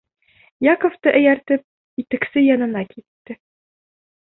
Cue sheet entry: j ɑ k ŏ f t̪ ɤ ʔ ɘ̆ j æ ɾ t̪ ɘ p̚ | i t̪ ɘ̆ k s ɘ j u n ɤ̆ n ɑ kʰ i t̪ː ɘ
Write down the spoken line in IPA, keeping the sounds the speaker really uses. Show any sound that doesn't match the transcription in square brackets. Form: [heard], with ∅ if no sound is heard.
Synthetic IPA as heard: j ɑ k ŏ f t̪ ɤ ʔ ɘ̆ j æ ɾ t̪ ɘ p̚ | i t̪ ɘ̆ k s ɘ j [ɒ] n ɤ̆ n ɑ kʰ i t̪ː ɘ